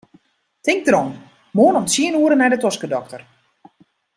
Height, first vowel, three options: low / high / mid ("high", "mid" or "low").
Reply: high